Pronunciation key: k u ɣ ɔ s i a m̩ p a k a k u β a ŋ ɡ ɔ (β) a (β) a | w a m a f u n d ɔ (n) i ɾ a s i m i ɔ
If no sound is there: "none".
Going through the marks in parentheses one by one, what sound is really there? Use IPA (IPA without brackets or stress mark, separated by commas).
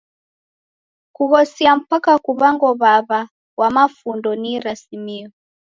β, β, n